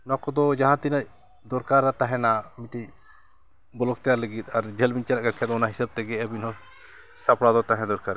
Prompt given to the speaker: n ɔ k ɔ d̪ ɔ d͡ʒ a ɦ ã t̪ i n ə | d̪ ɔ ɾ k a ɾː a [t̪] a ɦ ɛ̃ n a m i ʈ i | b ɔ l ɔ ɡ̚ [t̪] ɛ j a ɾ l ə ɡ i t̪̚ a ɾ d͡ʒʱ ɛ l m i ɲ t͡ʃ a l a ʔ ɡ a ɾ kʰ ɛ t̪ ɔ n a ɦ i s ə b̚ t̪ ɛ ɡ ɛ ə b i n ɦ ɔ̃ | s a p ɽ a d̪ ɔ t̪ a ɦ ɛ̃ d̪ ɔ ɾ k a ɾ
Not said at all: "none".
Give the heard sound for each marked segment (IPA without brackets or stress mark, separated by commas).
t̪, t̪